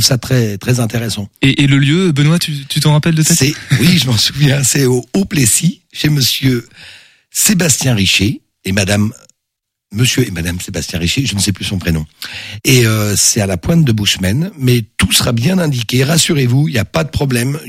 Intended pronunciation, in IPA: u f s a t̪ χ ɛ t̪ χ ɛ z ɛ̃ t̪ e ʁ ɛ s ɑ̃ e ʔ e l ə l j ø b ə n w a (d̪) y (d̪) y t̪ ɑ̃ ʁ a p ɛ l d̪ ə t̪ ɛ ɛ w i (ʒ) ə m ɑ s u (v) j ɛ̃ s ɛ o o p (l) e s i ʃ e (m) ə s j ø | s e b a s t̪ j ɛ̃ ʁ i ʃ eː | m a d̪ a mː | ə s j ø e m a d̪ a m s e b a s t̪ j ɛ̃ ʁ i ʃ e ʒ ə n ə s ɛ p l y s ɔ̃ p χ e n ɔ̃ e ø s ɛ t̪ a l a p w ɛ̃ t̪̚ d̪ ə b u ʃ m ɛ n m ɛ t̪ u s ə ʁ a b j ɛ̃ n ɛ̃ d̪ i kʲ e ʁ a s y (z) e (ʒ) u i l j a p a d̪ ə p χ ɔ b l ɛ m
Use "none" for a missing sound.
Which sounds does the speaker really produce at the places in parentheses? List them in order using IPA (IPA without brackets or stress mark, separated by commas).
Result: t̪, t̪, ʒ, v, l, m, ʁ, v